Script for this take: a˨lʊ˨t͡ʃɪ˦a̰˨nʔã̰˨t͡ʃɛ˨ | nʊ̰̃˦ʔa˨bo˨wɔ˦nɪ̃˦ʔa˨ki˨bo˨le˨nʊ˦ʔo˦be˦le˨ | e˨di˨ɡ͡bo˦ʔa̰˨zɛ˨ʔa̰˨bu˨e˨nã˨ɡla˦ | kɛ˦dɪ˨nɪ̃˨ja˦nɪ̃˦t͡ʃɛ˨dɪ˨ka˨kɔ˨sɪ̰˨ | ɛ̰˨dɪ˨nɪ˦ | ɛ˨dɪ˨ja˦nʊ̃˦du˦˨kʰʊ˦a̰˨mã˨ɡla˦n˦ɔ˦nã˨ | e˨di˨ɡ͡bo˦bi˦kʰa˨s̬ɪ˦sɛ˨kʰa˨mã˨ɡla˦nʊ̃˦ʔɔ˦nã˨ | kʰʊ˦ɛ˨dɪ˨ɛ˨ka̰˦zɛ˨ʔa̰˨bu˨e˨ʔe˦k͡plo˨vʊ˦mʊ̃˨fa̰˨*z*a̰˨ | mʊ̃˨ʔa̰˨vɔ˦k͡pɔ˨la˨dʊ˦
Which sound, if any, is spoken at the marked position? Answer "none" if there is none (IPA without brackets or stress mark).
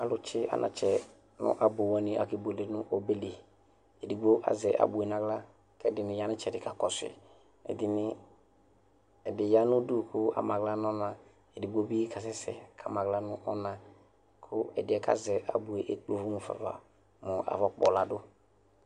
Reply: v